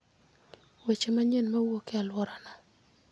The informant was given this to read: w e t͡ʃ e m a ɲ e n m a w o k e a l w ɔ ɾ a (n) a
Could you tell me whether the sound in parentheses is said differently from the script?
no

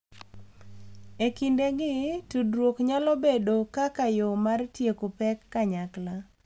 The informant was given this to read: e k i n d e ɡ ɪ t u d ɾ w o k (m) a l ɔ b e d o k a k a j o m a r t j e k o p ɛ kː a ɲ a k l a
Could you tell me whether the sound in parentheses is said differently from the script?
yes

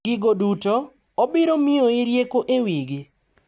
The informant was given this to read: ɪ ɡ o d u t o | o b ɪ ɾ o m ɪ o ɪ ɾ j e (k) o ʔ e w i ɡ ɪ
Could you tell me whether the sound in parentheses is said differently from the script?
no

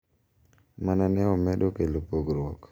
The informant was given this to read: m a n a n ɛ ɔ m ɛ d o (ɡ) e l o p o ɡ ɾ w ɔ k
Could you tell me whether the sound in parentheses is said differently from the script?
yes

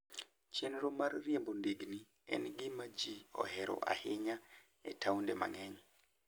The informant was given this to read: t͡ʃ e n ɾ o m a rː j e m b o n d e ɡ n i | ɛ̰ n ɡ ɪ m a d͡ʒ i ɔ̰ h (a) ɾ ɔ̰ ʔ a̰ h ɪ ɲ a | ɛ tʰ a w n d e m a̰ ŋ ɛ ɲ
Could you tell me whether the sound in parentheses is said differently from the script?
yes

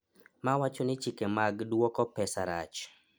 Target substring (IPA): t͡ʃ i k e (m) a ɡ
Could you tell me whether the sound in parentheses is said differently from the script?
no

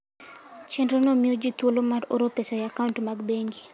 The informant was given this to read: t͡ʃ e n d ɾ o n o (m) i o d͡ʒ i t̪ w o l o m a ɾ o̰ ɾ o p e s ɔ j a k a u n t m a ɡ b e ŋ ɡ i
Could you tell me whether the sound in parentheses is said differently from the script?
no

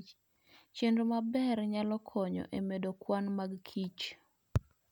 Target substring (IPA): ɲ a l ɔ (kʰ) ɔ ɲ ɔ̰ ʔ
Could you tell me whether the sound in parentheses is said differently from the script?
no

